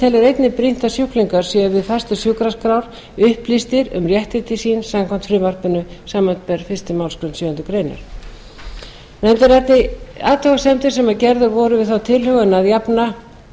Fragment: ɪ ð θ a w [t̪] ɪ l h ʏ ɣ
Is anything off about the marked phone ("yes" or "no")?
yes